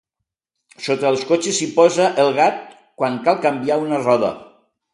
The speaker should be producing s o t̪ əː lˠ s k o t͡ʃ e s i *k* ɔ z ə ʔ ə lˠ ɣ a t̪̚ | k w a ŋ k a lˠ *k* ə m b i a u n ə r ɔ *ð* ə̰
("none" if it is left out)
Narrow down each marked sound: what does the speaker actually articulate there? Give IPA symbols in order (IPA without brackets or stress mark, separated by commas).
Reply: p, k, ð